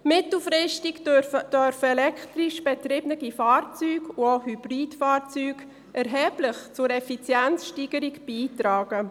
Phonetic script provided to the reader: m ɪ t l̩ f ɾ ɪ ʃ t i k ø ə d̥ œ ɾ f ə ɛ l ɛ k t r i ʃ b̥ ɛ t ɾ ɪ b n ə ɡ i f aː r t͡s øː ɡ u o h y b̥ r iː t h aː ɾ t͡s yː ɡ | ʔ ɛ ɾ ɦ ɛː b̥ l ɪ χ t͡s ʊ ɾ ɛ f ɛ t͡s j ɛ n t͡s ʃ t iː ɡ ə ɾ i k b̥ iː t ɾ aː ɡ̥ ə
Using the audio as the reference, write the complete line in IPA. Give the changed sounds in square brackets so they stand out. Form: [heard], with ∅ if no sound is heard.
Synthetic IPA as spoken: m ɪ t l̩ f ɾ ɪ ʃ t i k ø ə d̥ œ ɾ f ə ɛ l ɛ k t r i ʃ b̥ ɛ t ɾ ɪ b n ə ɡ i f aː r t͡s [yː] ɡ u o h y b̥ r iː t [f] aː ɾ t͡s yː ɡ | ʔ ɛ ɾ ɦ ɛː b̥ l ɪ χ t͡s ʊ ɾ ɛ f [i] t͡s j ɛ n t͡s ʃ t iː ɡ ə ɾ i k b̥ iː t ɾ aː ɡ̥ ə